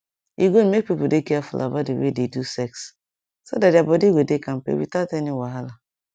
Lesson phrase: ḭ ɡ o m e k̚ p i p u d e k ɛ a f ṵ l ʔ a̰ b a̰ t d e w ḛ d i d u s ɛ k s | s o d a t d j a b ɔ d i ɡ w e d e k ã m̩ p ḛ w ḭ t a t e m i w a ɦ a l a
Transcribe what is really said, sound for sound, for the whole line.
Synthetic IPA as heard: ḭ ɡ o m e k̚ p i p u d e k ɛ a f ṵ l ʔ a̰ b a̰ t d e w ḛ d e d u s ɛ k s | s o d a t d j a b ɔ d i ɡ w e d e k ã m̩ p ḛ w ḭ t a t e n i w a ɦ a l a